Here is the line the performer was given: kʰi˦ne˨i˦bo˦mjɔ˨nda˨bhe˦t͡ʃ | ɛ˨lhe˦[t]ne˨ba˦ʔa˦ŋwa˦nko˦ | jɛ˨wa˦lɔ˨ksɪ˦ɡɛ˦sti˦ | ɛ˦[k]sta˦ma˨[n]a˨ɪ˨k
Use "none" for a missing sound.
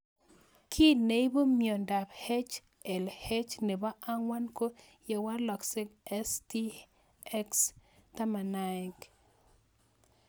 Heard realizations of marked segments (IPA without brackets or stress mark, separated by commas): t͡ʃ, k, n